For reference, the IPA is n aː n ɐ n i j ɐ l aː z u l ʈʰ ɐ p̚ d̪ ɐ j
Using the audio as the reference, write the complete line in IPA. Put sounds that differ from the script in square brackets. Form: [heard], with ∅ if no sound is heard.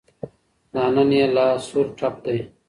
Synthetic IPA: n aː n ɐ n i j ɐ l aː [s] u [ɾ] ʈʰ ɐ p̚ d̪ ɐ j